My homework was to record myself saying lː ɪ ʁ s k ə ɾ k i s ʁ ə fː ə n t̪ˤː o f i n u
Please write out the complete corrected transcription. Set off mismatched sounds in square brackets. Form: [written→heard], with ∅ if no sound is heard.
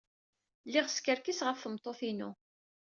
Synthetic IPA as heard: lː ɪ ʁ s k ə ɾ k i s ʁ ə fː ə [n→m] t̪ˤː o [f→θ] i n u